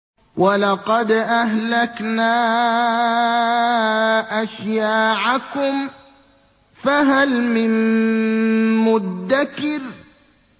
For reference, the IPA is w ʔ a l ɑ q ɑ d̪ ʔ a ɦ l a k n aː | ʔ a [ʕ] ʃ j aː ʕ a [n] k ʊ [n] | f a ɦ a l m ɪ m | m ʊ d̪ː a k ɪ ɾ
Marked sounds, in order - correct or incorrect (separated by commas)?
incorrect, incorrect, incorrect